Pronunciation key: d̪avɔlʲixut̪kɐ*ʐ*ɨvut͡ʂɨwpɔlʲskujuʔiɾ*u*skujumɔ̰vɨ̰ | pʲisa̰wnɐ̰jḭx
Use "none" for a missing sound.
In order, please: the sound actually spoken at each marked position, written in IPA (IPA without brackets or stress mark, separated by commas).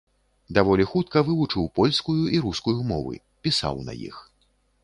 v, u